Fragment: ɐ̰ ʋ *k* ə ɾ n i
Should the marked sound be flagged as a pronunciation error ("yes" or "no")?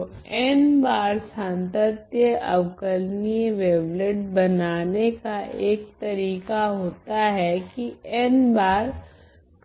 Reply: no